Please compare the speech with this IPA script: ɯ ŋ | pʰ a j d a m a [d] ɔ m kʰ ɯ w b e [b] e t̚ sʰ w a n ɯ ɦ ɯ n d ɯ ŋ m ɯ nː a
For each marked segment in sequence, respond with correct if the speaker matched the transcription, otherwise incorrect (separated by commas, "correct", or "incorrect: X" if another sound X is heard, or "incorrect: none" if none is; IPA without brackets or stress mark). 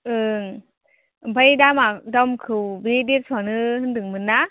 correct, incorrect: d